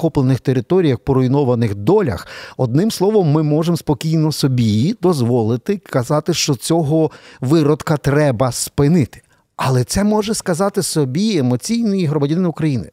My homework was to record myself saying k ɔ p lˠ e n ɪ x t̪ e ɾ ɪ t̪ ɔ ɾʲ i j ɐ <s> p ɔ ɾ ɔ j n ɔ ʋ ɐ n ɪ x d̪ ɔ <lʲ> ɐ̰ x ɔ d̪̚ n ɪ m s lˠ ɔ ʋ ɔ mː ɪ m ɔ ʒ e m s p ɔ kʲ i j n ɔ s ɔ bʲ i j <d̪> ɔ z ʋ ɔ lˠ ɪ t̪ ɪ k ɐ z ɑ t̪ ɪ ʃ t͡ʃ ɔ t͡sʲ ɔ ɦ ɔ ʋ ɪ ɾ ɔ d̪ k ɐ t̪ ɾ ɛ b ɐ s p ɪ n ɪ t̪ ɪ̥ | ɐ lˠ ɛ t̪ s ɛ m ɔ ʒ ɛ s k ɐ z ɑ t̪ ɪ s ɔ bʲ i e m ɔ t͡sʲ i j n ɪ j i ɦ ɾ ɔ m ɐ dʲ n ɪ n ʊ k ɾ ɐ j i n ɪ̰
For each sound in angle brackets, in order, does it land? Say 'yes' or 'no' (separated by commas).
no, yes, yes